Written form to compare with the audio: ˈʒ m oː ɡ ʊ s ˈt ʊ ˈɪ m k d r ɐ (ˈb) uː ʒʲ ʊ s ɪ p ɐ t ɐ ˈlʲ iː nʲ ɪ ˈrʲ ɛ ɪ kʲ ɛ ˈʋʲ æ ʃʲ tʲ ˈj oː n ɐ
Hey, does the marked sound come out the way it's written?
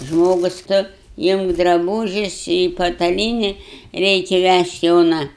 yes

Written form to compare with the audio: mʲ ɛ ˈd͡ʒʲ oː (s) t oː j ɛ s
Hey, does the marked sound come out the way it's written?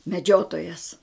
no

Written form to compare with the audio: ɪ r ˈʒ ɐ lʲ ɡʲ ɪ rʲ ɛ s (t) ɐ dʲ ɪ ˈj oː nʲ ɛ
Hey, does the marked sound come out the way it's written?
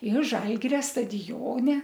yes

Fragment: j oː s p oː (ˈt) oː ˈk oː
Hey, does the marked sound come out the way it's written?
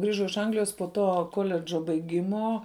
yes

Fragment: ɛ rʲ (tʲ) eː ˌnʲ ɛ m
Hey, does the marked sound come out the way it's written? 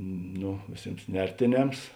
yes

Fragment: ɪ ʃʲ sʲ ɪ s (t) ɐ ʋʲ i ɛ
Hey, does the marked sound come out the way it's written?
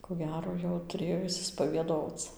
no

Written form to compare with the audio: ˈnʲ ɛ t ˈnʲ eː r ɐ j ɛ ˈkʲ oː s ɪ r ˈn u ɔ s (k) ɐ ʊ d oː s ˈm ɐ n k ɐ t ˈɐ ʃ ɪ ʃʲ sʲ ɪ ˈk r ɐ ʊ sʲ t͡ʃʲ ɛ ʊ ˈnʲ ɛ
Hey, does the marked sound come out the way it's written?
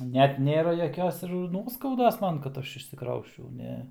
yes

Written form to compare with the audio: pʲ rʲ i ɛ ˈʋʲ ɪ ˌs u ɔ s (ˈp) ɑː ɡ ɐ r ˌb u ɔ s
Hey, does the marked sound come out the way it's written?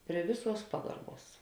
yes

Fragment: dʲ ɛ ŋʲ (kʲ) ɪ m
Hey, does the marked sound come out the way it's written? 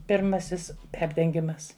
no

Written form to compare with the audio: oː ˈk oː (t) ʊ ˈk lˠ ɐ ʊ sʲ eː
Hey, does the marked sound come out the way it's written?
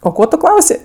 yes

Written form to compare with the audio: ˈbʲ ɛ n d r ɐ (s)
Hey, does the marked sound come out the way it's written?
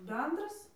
yes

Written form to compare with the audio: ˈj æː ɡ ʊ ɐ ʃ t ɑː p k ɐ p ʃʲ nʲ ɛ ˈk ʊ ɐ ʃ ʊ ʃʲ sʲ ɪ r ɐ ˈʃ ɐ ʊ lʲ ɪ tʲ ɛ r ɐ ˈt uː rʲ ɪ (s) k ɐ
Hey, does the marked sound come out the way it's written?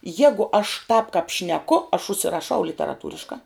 no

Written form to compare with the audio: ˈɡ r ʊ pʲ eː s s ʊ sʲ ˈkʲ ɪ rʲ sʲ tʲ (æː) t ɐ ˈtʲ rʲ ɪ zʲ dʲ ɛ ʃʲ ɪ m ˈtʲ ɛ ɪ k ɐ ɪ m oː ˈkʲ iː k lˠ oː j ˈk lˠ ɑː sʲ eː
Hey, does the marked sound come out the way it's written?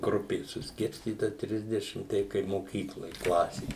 no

